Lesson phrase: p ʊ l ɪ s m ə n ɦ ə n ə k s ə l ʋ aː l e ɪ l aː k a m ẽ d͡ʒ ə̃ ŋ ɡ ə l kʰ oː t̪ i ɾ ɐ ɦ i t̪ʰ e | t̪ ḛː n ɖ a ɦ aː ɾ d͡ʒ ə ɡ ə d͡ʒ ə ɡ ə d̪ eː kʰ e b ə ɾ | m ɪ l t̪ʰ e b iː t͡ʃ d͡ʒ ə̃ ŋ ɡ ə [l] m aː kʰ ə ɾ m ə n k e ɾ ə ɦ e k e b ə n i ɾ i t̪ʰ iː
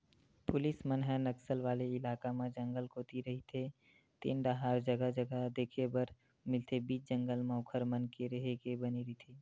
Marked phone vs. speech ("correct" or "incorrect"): correct